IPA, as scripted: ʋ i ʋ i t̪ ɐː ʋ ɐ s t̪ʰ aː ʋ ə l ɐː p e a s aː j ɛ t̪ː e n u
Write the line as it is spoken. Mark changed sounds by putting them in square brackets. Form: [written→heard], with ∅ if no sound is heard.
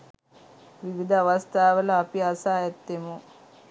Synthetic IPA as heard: ʋ i ʋ i [t̪→d̪] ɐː ʋ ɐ s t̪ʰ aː ʋ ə l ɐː p [e→i] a s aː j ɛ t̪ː e [n→m] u